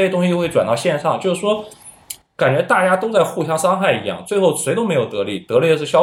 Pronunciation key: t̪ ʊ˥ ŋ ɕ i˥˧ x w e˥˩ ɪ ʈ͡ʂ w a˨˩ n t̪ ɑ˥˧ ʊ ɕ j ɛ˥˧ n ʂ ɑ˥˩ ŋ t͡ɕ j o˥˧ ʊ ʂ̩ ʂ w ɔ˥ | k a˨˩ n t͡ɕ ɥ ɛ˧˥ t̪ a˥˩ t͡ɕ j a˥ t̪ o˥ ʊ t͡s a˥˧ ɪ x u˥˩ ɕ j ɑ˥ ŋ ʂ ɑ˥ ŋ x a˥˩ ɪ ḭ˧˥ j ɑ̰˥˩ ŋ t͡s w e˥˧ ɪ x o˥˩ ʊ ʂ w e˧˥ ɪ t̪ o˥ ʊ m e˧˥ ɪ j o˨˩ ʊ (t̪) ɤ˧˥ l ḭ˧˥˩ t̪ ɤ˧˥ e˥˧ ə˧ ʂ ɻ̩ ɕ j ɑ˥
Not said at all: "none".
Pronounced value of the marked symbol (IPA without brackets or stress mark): t̪